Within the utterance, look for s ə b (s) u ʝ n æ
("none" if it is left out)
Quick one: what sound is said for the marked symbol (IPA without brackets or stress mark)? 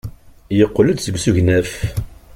s